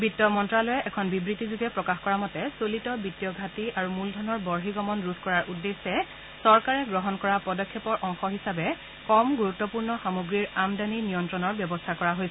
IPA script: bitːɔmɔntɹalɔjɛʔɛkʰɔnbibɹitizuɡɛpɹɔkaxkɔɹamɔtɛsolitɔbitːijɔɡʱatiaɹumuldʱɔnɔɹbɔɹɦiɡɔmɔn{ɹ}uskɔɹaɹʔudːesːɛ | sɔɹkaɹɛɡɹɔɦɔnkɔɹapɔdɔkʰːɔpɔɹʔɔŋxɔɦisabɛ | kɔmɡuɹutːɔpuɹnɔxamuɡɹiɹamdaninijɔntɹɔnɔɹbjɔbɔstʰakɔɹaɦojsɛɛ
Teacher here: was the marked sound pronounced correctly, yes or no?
yes